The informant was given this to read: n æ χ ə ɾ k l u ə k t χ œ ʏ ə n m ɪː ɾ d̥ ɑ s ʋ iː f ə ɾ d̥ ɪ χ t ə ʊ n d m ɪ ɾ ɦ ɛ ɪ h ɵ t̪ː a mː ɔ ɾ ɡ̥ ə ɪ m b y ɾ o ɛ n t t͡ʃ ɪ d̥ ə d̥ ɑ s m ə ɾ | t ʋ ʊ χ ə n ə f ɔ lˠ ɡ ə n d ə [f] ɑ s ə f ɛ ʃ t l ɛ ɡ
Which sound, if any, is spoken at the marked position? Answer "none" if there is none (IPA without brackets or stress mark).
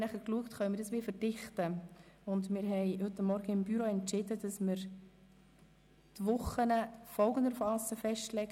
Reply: f